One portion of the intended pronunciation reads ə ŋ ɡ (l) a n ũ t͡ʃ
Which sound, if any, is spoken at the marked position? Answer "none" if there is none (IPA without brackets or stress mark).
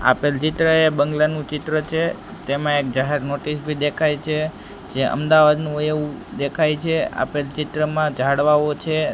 l